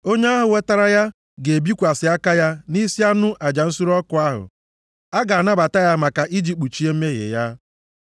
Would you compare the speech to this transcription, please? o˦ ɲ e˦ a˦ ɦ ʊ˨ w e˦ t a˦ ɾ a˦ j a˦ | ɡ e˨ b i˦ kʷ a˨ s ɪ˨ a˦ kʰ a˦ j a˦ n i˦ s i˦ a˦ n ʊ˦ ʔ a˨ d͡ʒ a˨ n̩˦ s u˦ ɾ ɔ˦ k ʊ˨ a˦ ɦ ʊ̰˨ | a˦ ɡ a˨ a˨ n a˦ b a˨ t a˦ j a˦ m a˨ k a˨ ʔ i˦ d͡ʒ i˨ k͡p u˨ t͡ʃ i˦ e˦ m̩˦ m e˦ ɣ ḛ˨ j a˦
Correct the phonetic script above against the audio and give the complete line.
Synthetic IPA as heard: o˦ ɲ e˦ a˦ ɦ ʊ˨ w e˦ t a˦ ɾ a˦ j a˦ | ɡ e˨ b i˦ kʷ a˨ s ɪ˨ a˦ k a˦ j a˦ n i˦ s i˦ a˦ n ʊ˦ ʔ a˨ d͡ʒ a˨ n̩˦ s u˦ ɾ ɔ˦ k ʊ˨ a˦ ɦ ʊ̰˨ | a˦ ɡ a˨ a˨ n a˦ b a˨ t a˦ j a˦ m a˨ k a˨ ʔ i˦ d͡ʒ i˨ k͡p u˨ t͡ʃ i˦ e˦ m̩˦ m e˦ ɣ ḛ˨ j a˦